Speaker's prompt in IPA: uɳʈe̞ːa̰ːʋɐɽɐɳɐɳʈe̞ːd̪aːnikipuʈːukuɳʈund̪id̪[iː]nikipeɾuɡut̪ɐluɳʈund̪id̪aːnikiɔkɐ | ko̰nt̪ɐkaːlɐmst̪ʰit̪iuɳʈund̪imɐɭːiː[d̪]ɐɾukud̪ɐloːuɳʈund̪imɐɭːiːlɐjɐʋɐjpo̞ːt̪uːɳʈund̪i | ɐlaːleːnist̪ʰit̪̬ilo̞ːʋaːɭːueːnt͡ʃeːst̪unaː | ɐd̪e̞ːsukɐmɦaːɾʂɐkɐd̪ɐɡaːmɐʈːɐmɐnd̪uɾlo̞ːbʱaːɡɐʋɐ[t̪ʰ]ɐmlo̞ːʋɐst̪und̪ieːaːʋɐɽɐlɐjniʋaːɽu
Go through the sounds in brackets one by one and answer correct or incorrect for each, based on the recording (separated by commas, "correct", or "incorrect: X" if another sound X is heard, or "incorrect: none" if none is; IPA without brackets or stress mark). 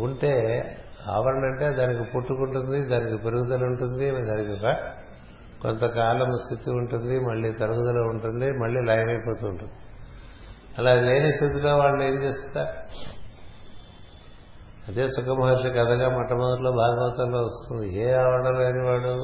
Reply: incorrect: aː, incorrect: t̪, incorrect: t̪